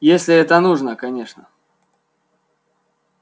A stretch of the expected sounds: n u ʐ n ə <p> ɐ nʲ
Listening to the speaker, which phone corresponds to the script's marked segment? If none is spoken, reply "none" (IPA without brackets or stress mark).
k